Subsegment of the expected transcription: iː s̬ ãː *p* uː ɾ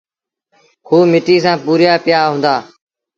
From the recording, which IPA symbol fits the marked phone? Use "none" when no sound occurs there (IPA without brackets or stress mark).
p